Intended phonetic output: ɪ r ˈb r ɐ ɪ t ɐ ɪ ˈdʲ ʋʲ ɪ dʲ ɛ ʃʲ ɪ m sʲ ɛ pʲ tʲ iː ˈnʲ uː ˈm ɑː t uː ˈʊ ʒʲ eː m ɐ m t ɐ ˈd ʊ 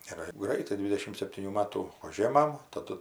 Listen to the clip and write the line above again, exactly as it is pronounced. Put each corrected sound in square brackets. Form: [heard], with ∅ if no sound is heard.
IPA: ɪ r [ˈɡ] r ɐ ɪ t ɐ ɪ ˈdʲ ʋʲ ɪ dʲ ɛ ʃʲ ɪ m sʲ ɛ pʲ tʲ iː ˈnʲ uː ˈm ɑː t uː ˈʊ ʒʲ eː m ɐ m t ɐ ˈd ʊ

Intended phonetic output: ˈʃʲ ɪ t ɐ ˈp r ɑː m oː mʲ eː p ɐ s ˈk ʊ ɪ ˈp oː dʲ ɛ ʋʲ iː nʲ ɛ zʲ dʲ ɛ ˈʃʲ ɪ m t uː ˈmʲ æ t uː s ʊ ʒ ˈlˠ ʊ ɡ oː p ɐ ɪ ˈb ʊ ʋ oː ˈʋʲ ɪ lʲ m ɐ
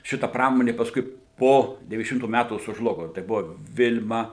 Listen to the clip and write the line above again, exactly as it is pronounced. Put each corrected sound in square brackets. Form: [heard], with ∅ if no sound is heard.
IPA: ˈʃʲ ɪ t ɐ ˈp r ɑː m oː [nʲ] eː p ɐ s ˈk ʊ ɪ ˈp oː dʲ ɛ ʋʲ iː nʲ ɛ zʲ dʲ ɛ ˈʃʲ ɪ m t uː ˈmʲ æ t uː s ʊ ʒ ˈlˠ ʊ ɡ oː [t] ɐ ɪ ˈb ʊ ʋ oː ˈʋʲ ɪ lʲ m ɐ

